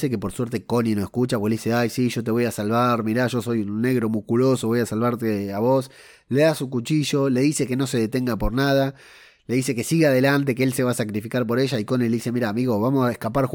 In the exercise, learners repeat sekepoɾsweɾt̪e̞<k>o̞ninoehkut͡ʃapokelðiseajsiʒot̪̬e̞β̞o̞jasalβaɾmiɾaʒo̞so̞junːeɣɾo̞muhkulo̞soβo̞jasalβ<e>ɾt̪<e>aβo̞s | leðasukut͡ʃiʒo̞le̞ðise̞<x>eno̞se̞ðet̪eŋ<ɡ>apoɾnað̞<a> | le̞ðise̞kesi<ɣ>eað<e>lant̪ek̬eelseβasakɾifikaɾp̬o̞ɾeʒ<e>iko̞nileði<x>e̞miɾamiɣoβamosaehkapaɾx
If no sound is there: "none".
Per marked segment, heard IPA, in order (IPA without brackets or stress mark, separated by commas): k, a, e, k, ɡ, a, ɣ, e, a, s